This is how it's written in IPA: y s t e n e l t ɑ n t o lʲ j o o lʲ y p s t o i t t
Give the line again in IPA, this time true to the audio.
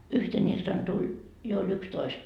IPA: y h t e n i l t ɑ n t u lʲ j o o lʲ y k s t o i s t